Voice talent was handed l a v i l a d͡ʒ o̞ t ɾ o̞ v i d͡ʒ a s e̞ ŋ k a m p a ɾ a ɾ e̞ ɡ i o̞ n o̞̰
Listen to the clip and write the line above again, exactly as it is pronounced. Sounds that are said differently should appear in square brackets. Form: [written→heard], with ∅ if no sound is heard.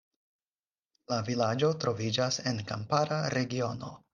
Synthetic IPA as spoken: l a v i l a d͡ʒ o̞ t ɾ o̞ v i d͡ʒ a s e̞ [ŋ→n] k a m p a ɾ a ɾ e̞ ɡ i o̞ n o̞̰